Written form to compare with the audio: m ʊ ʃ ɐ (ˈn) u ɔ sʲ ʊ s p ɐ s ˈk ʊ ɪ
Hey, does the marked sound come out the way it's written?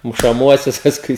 no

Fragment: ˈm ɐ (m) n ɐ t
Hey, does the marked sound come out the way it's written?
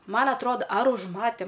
no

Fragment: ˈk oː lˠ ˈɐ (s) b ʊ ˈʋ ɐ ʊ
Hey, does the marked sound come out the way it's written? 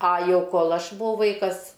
no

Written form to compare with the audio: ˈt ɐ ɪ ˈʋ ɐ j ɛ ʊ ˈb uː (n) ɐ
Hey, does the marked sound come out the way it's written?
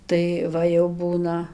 yes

